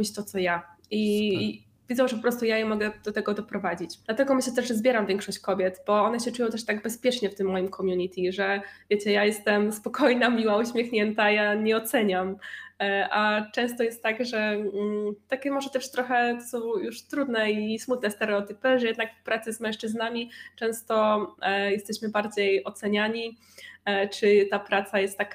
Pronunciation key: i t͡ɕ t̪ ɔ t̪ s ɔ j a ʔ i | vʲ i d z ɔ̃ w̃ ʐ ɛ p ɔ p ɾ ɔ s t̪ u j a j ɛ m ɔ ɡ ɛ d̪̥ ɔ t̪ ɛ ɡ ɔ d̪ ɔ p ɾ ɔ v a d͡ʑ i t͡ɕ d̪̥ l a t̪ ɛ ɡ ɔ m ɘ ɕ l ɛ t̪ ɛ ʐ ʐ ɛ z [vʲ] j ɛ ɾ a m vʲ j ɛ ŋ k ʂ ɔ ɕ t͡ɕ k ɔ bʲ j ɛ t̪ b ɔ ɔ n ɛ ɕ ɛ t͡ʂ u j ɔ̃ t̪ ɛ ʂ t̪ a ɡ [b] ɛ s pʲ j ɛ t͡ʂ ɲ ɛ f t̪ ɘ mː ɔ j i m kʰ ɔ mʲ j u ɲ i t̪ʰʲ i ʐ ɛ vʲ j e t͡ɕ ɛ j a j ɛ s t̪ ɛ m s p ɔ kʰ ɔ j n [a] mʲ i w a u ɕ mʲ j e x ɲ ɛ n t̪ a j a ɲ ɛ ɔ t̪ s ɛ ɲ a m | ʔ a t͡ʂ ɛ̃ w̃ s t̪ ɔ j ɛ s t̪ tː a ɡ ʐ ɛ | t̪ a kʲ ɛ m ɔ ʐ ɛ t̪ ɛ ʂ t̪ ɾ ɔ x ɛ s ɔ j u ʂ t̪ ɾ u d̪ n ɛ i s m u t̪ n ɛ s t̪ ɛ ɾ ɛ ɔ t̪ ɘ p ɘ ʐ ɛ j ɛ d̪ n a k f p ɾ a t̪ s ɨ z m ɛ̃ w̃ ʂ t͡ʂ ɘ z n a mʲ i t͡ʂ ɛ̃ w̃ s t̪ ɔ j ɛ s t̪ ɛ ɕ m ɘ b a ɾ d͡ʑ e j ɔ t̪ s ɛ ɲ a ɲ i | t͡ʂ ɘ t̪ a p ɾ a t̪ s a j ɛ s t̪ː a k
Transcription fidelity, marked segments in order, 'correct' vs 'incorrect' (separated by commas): incorrect, correct, correct